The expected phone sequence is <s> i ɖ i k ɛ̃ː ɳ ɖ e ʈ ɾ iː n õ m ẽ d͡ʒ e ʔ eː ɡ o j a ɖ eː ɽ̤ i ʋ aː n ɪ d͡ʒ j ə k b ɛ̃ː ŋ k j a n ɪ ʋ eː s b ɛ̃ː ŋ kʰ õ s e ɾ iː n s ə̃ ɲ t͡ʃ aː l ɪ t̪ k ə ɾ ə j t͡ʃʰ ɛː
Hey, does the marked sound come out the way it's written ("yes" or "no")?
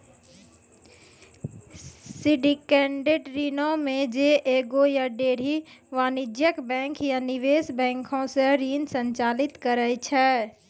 yes